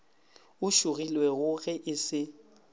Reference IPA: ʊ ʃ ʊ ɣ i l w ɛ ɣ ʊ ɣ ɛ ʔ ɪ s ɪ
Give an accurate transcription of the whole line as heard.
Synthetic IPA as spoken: ʊ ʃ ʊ ɣ i l w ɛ ɣ ʊ ɣ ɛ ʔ ɪ s ɪ